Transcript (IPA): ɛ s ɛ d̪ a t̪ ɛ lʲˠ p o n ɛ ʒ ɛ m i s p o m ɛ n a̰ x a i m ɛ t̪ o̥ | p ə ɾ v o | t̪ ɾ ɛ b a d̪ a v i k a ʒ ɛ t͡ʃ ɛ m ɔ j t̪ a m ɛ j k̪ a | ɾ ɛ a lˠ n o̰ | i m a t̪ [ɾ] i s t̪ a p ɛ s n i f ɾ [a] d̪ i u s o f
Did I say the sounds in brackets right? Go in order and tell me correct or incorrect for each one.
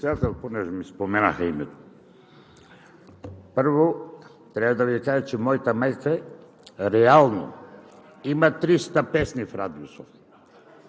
correct, correct

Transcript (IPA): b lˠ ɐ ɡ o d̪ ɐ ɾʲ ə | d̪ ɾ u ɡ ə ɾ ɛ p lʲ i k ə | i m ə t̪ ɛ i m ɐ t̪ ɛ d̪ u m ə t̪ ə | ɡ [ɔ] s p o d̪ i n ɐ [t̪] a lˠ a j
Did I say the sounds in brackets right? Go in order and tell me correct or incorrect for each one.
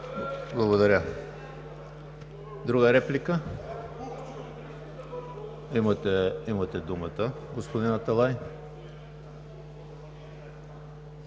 incorrect: o, correct

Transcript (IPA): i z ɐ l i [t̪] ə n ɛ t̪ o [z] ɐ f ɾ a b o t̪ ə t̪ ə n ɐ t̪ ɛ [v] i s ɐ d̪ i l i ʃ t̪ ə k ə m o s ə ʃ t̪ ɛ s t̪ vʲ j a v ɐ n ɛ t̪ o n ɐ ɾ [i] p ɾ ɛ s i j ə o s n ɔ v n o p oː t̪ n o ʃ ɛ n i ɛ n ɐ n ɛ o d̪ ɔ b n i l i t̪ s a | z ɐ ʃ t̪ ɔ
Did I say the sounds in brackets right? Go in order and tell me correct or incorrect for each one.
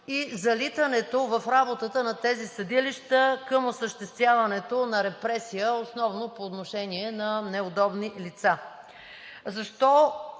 correct, incorrect: v, incorrect: z, incorrect: ɛ

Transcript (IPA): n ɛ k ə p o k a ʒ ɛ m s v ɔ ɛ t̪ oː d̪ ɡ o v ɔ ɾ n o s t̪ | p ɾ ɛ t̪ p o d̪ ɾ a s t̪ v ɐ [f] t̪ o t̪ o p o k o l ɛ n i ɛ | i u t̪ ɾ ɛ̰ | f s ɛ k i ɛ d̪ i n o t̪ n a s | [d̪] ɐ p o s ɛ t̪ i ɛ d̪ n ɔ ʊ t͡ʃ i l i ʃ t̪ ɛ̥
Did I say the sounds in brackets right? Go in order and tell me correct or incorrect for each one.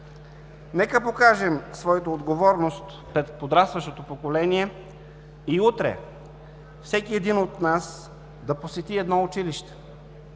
incorrect: ʃ, correct

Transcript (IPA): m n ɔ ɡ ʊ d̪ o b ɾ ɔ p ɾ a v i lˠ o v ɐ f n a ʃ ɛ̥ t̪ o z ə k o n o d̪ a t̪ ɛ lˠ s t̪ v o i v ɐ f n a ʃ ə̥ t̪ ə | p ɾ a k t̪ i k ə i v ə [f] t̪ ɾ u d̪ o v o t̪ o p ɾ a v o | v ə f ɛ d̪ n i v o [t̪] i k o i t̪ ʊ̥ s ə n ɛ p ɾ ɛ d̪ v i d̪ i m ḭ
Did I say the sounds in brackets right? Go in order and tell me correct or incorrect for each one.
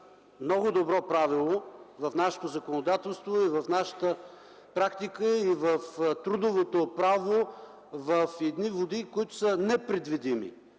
correct, incorrect: d̪

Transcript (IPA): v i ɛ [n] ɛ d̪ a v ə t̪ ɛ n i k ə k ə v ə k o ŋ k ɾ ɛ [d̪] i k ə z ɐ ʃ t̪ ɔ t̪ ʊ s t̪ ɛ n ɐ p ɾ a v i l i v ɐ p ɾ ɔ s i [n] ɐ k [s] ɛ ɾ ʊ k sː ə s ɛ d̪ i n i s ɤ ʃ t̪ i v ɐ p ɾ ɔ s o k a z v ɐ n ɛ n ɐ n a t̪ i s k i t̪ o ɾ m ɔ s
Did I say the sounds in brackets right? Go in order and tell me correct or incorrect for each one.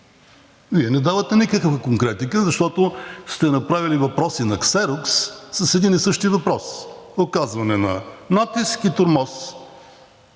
correct, incorrect: t̪, correct, correct

